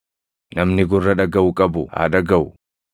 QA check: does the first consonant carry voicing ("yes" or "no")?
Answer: yes